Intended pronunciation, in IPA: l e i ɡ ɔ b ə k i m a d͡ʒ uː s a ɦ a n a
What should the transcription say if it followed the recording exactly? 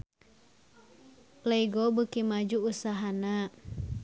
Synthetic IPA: l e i ɡ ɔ b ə k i m a d͡ʒ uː s a ɦ a n a

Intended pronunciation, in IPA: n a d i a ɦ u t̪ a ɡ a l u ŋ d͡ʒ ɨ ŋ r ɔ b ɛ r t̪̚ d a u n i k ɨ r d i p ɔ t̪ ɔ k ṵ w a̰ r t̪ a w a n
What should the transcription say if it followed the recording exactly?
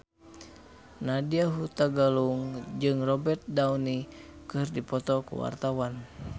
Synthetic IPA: n a d i a ɦ u t̪ a ɡ a l u ŋ d͡ʒ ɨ ŋ r ɔ b ɛ r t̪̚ d a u n i k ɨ r d i p ɔ t̪ ɔ k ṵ w a̰ r t̪ a w a n

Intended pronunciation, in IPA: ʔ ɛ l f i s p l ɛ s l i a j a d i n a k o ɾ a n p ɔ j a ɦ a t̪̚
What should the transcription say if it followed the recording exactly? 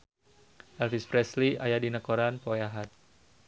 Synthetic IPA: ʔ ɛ l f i s p ɾ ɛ s l i a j a d i n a k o ɾ a n p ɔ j a ɦ a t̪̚

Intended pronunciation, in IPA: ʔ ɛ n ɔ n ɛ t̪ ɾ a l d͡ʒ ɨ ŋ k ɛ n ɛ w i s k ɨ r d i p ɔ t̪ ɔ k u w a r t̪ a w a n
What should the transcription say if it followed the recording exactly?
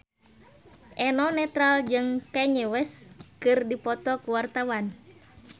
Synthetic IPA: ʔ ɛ n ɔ n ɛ t̪ ɾ a l d͡ʒ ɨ ŋ k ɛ ɲ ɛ w ɛ s k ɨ r d i p ɔ t̪ ɔ k u w a r t̪ a w a n

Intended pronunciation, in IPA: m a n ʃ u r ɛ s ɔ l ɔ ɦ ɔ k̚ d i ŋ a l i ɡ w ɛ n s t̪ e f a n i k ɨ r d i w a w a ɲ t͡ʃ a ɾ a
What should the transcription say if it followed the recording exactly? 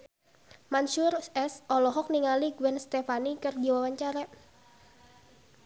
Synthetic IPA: m a n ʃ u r ɛ s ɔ l ɔ ɦ ɔ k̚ n i ŋ a l i ɡ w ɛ n s t̪ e f a n i k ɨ r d i w a w a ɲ t͡ʃ a ɾ a

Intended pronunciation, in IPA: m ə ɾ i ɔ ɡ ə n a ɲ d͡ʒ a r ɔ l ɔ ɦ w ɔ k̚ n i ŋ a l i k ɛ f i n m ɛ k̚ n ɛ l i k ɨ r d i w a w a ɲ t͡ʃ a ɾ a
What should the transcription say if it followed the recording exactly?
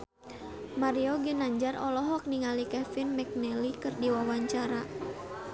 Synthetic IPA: m a ɾ i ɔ ɡ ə n a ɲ d͡ʒ a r ɔ l ɔ ɦ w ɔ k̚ n i ŋ a l i k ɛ f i n m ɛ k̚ n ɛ l i k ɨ r d i w a w a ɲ t͡ʃ a ɾ a

